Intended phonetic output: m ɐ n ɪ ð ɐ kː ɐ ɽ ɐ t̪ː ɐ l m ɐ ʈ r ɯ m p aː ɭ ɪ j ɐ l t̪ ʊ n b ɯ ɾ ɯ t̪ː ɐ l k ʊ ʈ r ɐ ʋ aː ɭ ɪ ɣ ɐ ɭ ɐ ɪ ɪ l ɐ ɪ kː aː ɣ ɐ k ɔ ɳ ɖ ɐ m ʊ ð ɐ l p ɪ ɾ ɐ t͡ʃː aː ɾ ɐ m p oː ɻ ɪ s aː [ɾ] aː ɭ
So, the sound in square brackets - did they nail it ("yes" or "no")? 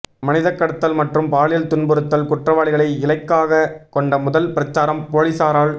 yes